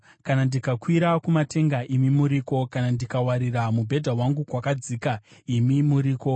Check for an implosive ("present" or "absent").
absent